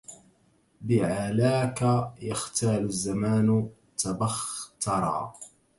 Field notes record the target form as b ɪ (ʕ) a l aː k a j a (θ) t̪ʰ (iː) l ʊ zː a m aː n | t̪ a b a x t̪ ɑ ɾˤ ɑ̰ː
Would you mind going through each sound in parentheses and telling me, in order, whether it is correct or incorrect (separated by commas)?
correct, incorrect, incorrect